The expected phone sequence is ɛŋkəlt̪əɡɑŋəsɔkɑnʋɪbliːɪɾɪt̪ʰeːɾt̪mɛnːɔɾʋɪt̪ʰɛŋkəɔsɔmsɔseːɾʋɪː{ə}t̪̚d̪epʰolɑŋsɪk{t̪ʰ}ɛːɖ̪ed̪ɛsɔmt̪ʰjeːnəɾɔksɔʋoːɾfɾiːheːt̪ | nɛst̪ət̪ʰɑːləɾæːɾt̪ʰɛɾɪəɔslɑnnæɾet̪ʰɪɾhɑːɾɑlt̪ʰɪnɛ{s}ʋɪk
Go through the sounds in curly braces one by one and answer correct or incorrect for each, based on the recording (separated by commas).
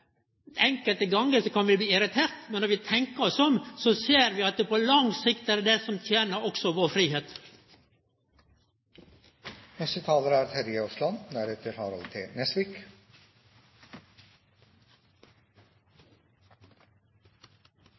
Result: incorrect, incorrect, correct